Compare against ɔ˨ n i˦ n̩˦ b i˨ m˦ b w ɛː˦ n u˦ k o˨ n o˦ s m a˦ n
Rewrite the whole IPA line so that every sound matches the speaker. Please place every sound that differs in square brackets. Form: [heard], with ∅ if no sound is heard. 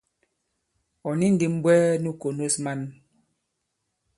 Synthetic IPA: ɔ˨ n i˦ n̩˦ [d] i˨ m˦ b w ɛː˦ n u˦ k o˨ n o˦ s m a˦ n